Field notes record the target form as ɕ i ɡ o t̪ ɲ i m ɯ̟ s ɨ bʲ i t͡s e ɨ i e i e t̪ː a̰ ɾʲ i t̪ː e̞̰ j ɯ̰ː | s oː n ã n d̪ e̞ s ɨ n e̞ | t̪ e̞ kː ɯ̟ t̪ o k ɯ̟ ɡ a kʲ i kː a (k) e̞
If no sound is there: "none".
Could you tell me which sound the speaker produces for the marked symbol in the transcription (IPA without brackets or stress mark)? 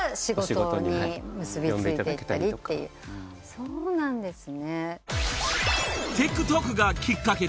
k